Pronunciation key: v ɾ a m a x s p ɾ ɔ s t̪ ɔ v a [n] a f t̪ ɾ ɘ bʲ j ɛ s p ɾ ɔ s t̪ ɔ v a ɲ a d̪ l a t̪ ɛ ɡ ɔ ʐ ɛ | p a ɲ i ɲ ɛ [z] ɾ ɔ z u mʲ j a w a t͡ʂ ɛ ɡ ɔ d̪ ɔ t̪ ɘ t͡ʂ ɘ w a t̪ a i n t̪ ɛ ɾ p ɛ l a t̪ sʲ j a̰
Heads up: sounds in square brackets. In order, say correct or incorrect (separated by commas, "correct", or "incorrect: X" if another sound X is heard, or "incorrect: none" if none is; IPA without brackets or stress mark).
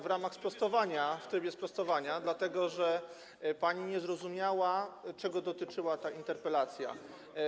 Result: incorrect: ɲ, correct